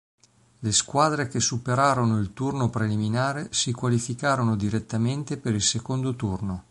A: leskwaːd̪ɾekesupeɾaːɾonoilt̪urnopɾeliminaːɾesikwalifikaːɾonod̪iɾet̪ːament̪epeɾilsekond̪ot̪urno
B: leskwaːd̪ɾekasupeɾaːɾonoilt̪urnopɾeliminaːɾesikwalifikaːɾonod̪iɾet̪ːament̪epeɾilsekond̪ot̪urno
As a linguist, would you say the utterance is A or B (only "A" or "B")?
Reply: A